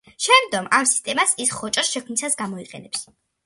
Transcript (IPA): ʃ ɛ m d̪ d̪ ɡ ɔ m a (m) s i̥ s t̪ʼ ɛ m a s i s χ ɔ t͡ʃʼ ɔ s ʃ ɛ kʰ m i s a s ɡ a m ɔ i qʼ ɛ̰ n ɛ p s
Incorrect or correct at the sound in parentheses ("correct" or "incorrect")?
correct